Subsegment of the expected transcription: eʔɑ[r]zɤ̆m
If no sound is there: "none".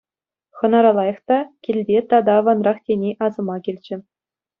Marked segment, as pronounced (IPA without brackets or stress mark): none